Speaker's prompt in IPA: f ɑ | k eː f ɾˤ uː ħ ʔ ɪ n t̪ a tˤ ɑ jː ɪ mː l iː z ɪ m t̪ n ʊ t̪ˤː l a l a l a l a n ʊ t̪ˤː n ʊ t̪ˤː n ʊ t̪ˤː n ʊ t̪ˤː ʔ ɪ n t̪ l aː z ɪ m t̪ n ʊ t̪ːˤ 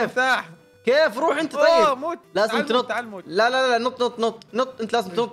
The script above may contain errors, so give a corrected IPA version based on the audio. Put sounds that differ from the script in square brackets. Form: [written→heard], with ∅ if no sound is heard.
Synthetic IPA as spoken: f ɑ | k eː f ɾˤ uː ħ ʔ ɪ n t̪ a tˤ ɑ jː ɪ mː l [iː→aː] z ɪ m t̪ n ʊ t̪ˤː l a l a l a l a n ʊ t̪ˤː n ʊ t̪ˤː n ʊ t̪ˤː n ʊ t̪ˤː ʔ ɪ n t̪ l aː z ɪ m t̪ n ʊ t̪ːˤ